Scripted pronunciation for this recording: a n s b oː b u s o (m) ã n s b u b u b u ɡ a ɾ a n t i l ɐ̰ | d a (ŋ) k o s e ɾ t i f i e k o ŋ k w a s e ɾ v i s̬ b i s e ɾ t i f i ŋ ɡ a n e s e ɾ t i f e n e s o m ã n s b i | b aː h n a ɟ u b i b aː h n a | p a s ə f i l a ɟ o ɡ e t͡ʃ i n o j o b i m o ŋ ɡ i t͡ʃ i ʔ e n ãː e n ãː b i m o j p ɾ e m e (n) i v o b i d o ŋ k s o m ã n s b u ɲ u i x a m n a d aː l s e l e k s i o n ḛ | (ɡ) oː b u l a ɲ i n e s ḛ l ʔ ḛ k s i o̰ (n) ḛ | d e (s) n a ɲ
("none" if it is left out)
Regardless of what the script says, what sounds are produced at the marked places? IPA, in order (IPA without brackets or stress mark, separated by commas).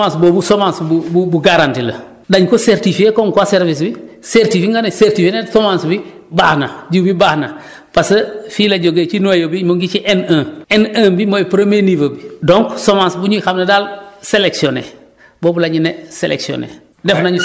m, ɲ, n, b, n, f